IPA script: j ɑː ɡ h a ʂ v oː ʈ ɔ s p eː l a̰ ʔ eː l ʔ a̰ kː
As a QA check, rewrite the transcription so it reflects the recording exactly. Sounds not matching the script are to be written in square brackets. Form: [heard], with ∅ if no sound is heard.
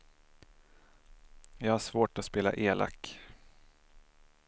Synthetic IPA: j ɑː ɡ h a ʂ v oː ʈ ɔ s p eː l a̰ ʔ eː l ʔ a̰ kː